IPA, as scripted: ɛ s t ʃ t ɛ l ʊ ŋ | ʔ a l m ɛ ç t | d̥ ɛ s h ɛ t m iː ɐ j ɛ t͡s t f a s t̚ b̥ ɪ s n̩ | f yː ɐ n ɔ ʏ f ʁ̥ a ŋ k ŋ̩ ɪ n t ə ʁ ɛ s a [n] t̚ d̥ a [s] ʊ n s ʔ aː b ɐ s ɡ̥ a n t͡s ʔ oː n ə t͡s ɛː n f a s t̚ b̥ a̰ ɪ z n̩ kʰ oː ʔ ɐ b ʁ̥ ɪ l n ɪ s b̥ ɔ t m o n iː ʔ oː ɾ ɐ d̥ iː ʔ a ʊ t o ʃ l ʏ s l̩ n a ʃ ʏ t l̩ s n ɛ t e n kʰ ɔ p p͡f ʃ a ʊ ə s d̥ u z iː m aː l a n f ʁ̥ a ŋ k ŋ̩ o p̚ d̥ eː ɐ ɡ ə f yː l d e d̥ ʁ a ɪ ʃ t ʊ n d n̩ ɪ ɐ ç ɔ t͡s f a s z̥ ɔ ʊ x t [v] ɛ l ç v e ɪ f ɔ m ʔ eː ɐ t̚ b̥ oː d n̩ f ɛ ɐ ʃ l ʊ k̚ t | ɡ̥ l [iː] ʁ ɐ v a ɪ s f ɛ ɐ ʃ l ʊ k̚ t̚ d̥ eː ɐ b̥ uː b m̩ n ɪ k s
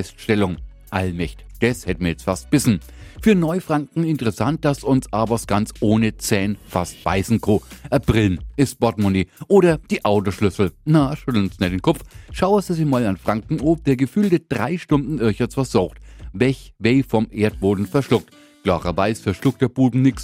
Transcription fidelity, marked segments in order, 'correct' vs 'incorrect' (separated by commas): correct, correct, correct, incorrect